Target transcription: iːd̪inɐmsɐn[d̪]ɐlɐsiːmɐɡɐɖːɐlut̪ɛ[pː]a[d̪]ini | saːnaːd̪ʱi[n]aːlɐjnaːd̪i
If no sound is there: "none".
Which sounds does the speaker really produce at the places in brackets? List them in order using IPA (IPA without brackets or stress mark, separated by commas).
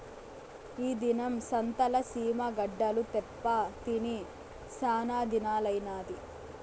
t̪, pː, t̪, n